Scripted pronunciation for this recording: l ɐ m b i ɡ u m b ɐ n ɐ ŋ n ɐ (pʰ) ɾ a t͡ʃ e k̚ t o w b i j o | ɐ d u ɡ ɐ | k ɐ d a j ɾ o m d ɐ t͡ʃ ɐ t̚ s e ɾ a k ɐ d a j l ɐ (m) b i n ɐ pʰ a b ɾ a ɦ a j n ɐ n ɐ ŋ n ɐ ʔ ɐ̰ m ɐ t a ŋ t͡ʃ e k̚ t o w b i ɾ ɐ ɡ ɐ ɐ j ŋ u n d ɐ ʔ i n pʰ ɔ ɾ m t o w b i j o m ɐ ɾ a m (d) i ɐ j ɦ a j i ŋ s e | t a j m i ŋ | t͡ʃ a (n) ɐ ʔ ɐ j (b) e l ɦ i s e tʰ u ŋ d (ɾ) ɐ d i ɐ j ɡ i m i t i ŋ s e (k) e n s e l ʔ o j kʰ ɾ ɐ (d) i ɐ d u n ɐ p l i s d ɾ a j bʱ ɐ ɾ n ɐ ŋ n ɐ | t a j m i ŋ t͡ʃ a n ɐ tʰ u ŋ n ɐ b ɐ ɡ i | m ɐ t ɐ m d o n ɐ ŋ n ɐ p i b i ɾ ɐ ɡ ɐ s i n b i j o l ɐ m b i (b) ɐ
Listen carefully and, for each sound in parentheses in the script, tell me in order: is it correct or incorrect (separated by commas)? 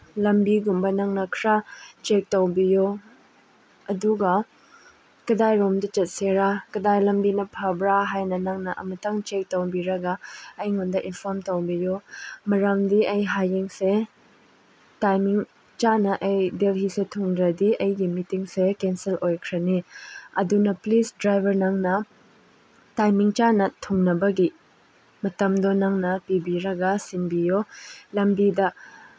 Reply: incorrect, correct, correct, correct, incorrect, correct, correct, incorrect, incorrect